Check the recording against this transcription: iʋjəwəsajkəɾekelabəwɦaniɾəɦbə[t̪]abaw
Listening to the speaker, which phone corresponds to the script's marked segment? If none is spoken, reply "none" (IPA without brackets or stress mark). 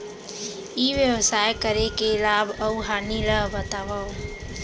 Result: t̪